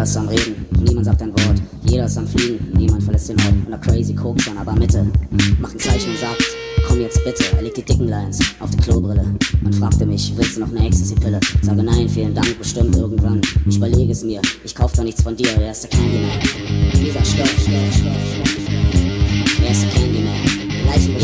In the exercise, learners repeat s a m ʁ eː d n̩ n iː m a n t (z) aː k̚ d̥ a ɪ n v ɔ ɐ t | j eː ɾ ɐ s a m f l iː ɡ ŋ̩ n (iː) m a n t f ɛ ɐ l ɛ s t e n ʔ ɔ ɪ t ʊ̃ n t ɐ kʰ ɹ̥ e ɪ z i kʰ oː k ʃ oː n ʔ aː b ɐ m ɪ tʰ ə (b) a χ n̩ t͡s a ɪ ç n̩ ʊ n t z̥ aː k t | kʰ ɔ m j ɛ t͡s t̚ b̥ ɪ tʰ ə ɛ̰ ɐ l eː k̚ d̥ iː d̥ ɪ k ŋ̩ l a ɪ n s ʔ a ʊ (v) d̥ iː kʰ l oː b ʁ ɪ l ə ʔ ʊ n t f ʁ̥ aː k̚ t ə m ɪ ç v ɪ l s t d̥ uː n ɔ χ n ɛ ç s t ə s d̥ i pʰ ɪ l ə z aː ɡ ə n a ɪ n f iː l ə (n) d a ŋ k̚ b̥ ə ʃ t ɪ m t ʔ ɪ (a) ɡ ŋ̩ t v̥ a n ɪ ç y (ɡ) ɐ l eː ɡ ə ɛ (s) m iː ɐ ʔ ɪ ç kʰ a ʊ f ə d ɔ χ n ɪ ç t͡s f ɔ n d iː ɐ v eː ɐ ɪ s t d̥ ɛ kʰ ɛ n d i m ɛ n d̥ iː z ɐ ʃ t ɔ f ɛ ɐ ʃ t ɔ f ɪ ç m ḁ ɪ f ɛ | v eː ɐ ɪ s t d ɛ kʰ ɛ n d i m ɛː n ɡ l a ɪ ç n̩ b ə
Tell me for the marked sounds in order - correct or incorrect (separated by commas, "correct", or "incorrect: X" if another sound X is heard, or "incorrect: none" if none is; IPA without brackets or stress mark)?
correct, correct, incorrect: m, incorrect: f, correct, incorrect: ɐ, incorrect: b, correct